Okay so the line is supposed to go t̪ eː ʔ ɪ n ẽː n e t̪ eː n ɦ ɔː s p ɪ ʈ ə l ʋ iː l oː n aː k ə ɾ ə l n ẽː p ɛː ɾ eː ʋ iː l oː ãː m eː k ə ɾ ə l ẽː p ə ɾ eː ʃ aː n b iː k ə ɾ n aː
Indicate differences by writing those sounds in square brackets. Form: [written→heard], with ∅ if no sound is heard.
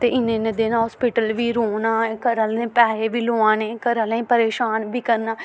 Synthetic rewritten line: t̪ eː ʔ ɪ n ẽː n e [t̪→d̪] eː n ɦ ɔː s p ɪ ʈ ə l ʋ iː [l→ɾ] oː n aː k ə ɾ ə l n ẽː p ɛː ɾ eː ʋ iː l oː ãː [m→n] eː k ə ɾ ə l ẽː p ə ɾ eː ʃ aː n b iː k ə ɾ n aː